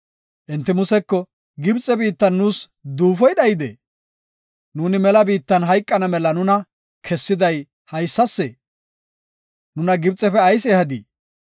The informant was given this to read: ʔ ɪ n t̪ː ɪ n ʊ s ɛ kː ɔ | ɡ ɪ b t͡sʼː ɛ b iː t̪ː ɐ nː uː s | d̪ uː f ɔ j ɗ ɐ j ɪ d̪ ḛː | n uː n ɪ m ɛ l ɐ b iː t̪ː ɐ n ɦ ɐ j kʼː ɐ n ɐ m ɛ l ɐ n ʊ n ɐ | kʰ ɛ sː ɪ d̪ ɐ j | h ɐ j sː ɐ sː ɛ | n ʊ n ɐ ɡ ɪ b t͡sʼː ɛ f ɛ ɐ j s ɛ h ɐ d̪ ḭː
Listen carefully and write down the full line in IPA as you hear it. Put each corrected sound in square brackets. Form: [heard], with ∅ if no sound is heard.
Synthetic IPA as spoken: ʔ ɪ n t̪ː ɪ [m] ʊ s ɛ kː ɔ | ɡ ɪ b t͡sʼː ɛ b iː t̪ː ɐ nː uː s | d̪ uː f ɔ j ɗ ɐ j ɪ d̪ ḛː | n uː n ɪ m ɛ l ɐ b iː t̪ː ɐ n ɦ ɐ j kʼː ɐ n ɐ m ɛ l ɐ n ʊ n ɐ | kʰ ɛ sː ɪ d̪ ɐ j | h ɐ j sː ɐ sː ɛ | n ʊ n ɐ ɡ ɪ b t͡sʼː ɛ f ɛ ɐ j s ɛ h ɐ d̪ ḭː